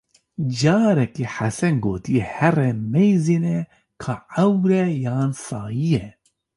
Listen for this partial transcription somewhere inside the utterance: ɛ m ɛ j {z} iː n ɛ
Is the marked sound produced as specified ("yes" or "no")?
yes